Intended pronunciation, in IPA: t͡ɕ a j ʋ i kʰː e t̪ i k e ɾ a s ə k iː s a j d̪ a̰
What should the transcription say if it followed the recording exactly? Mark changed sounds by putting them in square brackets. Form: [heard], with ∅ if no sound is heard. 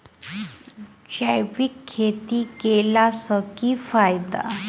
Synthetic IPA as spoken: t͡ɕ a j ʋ i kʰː e t̪ i k e [l] a s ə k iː [f] a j d̪ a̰